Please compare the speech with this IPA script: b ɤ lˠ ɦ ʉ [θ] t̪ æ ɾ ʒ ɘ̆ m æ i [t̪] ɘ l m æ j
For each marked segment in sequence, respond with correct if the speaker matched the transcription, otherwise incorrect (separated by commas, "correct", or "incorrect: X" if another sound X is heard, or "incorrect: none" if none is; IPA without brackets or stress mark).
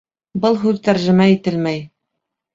incorrect: ð, correct